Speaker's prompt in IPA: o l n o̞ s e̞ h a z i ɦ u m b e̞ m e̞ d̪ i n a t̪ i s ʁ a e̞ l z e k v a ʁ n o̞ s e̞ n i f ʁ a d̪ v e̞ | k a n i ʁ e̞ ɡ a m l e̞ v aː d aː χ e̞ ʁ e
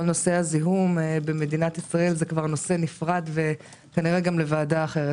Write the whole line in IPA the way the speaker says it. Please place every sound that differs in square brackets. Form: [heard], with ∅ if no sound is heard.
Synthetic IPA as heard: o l n o̞ s e̞ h a z i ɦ u m b e̞ m e̞ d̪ i n a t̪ i s ʁ a e̞ l z e k v a ʁ n o̞ s e̞ n i f ʁ a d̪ v e̞ | k a n i ʁ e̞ ɡ a m l e̞ v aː d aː χ e̞ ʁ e